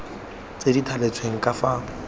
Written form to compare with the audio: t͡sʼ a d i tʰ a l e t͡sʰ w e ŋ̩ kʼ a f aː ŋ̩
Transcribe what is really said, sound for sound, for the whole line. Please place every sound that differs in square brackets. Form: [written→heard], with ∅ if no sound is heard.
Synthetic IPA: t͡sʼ [a→e] d i tʰ a l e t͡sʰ w e ŋ̩ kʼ a f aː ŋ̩

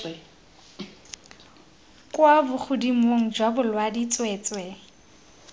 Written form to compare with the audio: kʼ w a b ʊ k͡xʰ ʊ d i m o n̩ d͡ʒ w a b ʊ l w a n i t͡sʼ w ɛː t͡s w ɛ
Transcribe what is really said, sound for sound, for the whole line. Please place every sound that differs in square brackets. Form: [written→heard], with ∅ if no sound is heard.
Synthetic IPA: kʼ w a b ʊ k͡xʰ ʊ d i m o [n̩→ŋ̩] d͡ʒ w a b ʊ l w a [n→d] i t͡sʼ w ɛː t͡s w ɛ

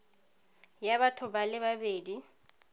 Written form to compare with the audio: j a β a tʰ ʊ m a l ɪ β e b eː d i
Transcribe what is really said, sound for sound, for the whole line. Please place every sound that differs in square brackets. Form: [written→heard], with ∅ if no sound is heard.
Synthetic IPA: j a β a tʰ ʊ [m→b] a l ɪ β [e→a] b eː d i

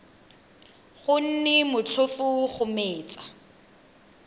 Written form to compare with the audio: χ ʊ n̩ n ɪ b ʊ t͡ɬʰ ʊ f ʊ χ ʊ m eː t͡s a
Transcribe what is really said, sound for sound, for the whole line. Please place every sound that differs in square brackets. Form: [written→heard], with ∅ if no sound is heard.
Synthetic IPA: χ ʊ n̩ n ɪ [b→m] ʊ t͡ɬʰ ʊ f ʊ χ ʊ m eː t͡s a

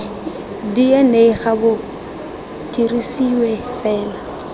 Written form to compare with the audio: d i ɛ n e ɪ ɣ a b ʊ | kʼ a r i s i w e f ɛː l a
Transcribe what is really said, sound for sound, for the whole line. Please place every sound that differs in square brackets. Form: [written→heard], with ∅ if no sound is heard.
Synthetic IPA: d i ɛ n e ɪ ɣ a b ʊ | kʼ [a→i] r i s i w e f ɛː l a

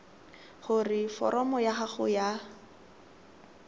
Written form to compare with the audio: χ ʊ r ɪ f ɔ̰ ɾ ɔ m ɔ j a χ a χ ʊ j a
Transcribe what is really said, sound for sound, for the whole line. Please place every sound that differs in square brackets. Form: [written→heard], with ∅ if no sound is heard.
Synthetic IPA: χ ʊ r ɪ f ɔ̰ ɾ ɔ m ɔ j a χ a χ ʊ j a

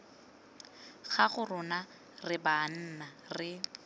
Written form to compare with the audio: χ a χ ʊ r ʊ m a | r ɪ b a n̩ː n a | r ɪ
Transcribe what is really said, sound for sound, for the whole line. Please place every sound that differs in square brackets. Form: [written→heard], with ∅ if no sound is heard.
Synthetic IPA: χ a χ ʊ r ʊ [m→n] a | r ɪ b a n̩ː n a | r ɪ

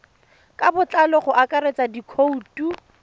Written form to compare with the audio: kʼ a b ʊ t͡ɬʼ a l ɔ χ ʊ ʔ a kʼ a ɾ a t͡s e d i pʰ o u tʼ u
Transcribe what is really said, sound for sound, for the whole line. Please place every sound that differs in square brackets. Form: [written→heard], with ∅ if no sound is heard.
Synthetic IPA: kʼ a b ʊ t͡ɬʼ a l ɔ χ ʊ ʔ a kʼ a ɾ [a→e] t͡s [e→a] d i [pʰ→kʰ] o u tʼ u

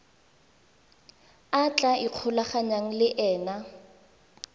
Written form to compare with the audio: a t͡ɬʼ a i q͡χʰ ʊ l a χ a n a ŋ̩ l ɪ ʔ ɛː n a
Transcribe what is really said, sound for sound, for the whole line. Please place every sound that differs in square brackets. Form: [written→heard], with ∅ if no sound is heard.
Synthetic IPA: a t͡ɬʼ a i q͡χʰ ʊ l a χ a [n→ɲ] a ŋ̩ l ɪ ʔ ɛː n a

